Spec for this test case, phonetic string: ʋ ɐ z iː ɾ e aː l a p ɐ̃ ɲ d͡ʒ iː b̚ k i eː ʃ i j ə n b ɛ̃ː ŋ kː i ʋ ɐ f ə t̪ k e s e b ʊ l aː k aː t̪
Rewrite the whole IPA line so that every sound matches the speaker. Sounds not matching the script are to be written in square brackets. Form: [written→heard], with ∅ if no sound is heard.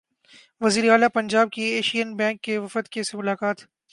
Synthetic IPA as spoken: ʋ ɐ z iː ɾ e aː l a p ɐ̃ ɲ d͡ʒ [iː→aː] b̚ k i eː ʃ i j ə n b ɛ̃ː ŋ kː [i→e] ʋ ɐ f ə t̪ k e s e [b→m] ʊ l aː k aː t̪